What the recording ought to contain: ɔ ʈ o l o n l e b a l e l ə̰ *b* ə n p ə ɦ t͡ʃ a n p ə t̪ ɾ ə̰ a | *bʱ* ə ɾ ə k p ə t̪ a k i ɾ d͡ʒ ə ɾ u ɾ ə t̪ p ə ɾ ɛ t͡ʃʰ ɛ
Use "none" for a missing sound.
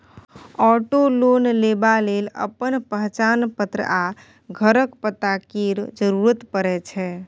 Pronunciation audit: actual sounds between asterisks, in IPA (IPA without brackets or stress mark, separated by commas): p, ɡʱ